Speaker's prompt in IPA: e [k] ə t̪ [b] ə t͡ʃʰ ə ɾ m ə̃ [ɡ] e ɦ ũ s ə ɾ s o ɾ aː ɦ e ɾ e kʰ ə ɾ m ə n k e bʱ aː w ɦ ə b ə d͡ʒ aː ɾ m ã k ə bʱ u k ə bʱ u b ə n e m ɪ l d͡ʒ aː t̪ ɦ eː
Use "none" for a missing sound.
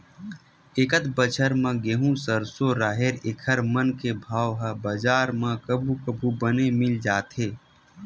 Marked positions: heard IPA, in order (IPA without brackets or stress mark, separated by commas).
k, b, ɡ